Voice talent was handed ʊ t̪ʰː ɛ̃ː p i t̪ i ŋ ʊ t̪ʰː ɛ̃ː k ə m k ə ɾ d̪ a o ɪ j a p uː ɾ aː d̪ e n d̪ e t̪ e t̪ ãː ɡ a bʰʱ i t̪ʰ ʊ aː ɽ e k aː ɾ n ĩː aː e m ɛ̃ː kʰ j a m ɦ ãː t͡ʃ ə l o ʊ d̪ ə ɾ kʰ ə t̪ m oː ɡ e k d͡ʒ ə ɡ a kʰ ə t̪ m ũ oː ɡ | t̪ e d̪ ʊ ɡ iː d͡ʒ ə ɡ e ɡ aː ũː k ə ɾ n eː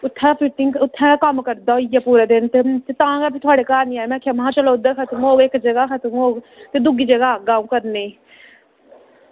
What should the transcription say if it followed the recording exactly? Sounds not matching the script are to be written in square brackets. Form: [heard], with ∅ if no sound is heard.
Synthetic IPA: ʊ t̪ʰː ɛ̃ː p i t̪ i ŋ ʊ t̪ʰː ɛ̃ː k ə m k ə ɾ d̪ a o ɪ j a p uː ɾ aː d̪ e n [t̪] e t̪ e t̪ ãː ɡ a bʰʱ i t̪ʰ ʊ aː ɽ e k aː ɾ n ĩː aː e m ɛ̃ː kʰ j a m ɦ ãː t͡ʃ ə l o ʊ d̪ ə ɾ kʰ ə t̪ m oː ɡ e k d͡ʒ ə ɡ a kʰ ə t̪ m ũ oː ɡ | t̪ e d̪ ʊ ɡ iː d͡ʒ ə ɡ [a] ɡ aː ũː k ə ɾ n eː